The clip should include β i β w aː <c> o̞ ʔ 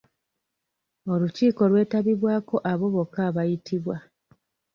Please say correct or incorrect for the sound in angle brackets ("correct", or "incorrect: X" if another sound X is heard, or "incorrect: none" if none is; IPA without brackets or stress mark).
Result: incorrect: k